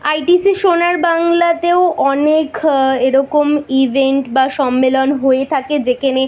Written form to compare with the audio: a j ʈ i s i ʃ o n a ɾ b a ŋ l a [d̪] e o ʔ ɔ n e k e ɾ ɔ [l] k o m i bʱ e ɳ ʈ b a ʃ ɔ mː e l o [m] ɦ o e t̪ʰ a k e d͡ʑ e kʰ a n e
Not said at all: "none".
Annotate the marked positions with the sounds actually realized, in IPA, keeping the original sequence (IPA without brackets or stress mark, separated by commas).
t̪, none, n